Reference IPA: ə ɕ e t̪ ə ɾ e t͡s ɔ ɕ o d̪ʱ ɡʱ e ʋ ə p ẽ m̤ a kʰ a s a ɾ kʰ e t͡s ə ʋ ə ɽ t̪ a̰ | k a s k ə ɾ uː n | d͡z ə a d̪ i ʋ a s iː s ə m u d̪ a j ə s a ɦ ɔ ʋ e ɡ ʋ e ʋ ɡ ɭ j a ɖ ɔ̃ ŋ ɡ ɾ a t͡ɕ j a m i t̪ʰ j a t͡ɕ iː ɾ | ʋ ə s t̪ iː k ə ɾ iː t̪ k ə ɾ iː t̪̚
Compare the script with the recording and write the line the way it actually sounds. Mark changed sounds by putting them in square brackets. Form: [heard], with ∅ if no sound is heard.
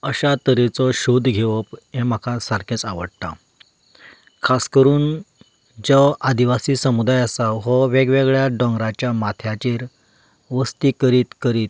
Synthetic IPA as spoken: ə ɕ [a] t̪ ə ɾ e t͡s ɔ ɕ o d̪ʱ ɡʱ e ʋ ə p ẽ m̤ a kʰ a s a ɾ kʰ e t͡s [a] ʋ ə ɽ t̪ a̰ | [kʰ] a s k ə ɾ uː n | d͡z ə a d̪ i ʋ a s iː s ə m u d̪ a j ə s a ɦ ɔ ʋ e ɡ ʋ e [∅] ɡ ɭ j a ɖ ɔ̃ ŋ ɡ ɾ a t͡ɕ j a m [a] t̪ʰ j a t͡ɕ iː ɾ | ʋ ə s t̪ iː k ə ɾ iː t̪ k ə ɾ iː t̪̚